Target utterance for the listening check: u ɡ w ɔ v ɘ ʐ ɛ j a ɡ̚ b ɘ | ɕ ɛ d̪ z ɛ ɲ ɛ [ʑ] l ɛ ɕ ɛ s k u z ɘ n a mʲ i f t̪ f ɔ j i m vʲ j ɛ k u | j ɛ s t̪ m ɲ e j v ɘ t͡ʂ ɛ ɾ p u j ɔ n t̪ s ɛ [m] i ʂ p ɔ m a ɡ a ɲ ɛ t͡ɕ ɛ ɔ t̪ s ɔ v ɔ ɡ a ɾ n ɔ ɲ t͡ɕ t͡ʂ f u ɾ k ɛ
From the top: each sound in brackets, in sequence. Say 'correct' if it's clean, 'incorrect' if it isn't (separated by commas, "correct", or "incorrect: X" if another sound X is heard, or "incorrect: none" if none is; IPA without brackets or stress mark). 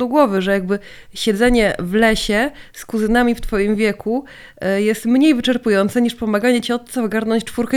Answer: incorrect: v, incorrect: ɲ